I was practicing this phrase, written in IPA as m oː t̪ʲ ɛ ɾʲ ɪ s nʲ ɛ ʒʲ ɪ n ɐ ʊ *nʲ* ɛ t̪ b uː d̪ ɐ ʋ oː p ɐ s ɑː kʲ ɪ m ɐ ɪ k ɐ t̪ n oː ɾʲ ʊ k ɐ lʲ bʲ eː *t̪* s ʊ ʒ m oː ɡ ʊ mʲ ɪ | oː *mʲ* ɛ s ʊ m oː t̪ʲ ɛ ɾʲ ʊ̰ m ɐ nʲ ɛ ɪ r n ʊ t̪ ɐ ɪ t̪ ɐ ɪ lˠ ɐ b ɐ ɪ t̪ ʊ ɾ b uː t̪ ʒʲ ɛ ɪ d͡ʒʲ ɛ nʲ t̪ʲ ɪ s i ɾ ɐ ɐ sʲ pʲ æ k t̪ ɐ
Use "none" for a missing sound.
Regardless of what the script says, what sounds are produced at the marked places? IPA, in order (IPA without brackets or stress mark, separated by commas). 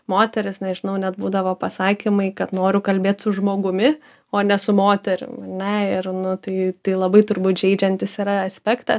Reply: nʲ, t̪, nʲ